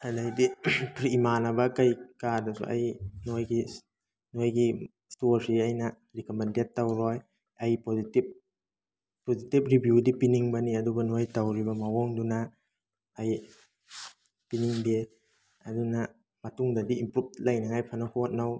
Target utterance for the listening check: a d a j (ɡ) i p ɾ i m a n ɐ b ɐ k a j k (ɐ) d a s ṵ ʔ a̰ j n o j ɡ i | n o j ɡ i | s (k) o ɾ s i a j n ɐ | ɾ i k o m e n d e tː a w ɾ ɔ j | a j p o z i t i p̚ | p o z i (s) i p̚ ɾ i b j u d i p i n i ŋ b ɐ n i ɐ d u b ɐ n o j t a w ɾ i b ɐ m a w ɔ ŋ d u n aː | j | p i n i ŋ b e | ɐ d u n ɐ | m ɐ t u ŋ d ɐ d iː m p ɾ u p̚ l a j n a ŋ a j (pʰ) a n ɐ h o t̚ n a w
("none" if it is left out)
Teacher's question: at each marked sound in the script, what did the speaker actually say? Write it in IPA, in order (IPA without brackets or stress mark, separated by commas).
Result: d, a, t, t, pʰ